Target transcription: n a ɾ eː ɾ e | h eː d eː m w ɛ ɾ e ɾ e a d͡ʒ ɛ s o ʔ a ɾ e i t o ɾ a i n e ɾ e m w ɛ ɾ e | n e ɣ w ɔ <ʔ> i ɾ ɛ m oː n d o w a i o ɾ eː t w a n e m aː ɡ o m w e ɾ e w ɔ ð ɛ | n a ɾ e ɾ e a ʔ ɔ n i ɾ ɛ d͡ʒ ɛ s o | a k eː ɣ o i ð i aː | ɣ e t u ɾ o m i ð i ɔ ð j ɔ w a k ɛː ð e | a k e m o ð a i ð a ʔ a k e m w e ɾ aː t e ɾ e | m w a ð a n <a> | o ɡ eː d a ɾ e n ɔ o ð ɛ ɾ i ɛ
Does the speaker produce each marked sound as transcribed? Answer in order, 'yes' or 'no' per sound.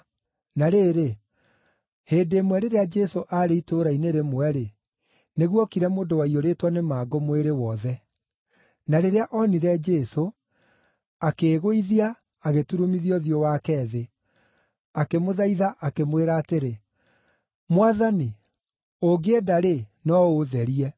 no, no

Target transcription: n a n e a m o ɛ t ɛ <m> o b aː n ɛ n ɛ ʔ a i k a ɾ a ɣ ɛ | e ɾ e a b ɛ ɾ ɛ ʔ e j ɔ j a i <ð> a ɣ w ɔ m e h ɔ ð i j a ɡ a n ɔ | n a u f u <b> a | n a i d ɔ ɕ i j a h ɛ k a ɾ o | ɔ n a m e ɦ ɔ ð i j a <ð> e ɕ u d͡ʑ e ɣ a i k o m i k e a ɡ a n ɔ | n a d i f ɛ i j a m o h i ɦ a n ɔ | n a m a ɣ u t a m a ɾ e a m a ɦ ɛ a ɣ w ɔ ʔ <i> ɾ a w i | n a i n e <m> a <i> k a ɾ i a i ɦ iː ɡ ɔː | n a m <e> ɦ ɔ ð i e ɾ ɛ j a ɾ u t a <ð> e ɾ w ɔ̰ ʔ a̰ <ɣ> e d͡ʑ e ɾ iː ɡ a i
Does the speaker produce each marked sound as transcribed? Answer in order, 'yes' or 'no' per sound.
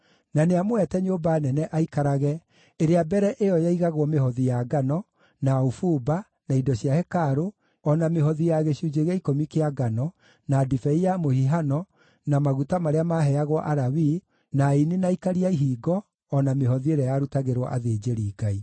no, no, yes, no, no, no, yes, yes, no, no

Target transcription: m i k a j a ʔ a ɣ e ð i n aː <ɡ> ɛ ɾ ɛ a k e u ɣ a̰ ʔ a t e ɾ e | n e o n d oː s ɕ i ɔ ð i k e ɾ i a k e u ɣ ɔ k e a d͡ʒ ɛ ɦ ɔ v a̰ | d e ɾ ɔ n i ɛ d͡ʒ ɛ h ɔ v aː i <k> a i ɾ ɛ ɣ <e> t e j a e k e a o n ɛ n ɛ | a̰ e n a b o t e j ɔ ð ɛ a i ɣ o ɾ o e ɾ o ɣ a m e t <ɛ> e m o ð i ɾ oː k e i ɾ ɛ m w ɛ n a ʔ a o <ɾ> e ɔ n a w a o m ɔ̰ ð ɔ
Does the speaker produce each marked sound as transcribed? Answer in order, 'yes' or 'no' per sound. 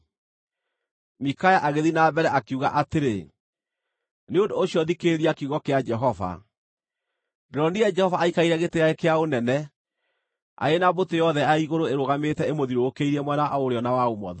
no, yes, yes, yes, yes

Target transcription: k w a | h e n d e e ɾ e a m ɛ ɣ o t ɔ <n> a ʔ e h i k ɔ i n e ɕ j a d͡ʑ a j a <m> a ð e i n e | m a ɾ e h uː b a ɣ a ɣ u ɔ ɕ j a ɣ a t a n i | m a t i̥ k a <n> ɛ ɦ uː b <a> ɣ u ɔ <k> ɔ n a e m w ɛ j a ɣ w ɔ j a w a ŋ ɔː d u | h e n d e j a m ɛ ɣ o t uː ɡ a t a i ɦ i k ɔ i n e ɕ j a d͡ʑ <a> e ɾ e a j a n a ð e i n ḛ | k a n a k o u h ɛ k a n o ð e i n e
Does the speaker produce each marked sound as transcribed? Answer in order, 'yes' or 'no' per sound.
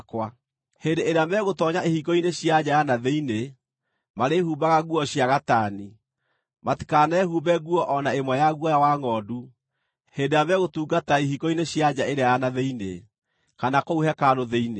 no, no, yes, no, no, yes

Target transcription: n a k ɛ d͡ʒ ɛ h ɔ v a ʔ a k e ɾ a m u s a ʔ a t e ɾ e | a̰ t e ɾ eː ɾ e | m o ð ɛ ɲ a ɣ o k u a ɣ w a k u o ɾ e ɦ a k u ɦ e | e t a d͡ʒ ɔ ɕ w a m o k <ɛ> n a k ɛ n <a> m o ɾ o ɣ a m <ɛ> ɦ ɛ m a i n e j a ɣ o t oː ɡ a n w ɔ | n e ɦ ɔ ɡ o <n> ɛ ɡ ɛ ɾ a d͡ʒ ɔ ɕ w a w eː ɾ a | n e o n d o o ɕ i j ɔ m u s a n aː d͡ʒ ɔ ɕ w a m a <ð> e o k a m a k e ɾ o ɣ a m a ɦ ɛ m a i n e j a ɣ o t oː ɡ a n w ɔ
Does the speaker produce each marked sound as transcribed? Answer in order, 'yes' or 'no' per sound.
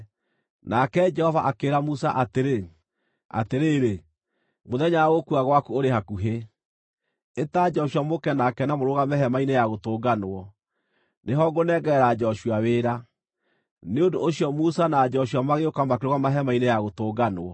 yes, yes, yes, yes, no

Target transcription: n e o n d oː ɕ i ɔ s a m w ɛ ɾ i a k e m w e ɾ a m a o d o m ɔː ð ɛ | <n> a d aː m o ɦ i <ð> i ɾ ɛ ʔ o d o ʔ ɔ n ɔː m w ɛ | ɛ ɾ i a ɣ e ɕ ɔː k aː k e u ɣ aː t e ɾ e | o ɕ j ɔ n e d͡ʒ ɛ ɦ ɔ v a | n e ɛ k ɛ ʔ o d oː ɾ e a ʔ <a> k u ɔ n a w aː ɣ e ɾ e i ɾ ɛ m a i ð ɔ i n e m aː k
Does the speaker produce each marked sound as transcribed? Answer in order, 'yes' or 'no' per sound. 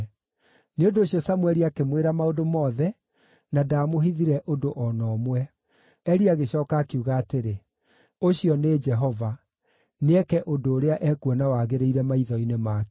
yes, yes, no

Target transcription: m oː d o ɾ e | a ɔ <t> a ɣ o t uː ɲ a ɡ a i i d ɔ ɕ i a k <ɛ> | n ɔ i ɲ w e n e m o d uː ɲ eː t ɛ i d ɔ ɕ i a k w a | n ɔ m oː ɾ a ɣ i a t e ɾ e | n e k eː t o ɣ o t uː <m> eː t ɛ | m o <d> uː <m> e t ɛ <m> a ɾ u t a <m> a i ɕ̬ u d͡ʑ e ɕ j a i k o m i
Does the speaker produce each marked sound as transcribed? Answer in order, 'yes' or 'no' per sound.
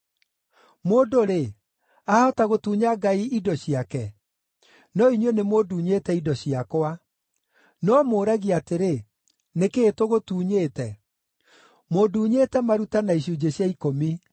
yes, yes, no, yes, no, yes, no

